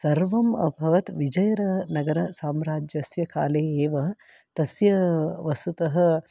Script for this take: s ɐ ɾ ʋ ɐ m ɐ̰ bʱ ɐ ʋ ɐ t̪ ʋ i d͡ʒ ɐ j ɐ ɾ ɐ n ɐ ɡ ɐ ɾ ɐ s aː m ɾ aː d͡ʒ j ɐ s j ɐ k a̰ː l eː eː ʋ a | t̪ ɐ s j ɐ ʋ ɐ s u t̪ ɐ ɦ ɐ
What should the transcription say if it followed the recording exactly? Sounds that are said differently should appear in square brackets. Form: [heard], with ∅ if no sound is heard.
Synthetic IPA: s ɐ ɾ ʋ ɐ m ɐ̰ bʱ ɐ ʋ ɐ t̪ ʋ i d͡ʒ ɐ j ɐ ɾ ɐ n ɐ ɡ ɐ ɾ ɐ s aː m ɾ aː d͡ʒ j ɐ s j ɐ k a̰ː l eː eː ʋ [ɐ] | t̪ ɐ s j ɐ ʋ ɐ s u t̪ ɐ ɦ ɐ